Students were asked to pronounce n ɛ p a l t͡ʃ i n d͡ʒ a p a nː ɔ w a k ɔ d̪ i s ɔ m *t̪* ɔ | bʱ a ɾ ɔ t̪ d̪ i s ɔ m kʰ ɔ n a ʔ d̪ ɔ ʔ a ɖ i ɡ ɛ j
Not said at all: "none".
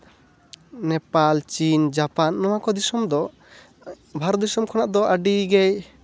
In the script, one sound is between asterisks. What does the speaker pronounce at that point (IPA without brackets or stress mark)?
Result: d̪